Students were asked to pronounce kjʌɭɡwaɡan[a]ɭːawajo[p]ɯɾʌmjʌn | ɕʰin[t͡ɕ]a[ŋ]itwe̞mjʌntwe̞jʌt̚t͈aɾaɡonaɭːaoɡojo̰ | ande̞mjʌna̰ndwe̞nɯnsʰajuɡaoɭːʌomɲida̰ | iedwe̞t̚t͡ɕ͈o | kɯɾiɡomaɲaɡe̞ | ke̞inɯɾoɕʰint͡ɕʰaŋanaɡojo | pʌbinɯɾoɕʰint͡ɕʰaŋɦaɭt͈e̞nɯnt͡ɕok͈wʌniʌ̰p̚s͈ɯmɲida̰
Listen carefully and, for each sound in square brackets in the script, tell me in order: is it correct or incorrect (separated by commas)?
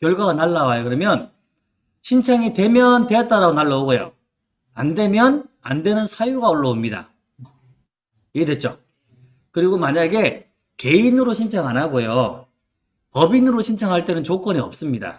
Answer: correct, incorrect, incorrect, correct